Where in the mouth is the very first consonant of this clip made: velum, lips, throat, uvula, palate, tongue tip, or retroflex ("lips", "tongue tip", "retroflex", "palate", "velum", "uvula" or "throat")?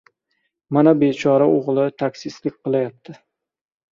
lips